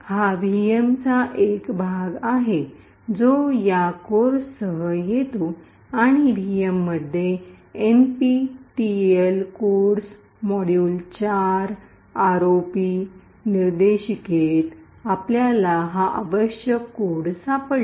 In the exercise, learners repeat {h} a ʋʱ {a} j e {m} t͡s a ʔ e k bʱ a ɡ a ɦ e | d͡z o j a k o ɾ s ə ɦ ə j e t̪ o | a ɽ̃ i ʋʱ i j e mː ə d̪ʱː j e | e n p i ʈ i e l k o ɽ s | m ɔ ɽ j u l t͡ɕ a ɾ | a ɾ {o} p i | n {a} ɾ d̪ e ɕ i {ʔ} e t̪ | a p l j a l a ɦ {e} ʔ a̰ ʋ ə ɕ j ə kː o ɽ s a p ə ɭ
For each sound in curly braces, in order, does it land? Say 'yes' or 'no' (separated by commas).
yes, no, yes, yes, no, no, no